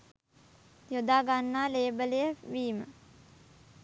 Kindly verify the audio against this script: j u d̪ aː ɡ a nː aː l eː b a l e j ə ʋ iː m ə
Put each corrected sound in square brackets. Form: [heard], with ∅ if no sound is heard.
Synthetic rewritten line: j [o] d̪ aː ɡ a nː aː l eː b [ə] l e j ə ʋ iː m ə